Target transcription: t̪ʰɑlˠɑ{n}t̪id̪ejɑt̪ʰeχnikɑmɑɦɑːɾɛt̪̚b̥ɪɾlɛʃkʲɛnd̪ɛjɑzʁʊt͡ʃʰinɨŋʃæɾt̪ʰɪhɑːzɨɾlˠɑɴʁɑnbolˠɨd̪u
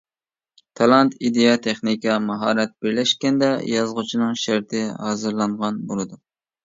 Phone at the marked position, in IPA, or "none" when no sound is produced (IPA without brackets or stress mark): n